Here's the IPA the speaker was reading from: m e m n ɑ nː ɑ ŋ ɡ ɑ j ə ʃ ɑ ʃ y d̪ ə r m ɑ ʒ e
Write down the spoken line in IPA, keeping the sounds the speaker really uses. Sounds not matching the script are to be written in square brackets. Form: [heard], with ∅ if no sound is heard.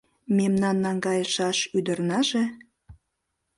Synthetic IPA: m e m n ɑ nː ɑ ŋ ɡ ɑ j ə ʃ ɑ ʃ y d̪ ə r [n] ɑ ʒ e